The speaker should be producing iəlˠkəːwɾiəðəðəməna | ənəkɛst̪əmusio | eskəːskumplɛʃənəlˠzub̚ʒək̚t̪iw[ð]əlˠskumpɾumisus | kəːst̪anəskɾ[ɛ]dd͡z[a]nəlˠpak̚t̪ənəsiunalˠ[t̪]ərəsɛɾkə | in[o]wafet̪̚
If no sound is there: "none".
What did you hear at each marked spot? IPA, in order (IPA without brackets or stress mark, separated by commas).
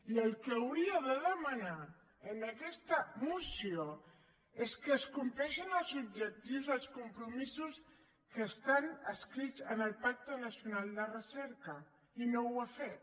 z, i, ə, d̪, o